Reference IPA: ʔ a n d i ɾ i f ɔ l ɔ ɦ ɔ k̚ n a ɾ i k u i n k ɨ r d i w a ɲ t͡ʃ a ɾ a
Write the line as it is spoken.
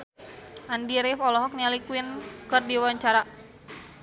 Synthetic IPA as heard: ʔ a n d i ɾ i f ɔ l ɔ ɦ ɔ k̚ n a l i k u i n k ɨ r d i w a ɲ t͡ʃ a ɾ a